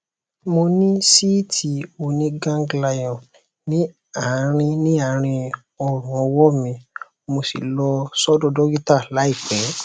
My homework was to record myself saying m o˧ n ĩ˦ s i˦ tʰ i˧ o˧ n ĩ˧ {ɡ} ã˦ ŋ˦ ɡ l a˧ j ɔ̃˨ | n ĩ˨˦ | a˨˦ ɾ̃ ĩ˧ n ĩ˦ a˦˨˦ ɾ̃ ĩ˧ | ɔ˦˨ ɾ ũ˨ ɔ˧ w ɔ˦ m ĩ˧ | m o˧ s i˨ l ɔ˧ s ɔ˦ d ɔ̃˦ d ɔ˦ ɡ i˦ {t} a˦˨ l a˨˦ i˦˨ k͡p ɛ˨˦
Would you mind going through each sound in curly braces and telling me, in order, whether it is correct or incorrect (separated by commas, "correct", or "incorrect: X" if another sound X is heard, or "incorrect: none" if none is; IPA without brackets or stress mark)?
correct, correct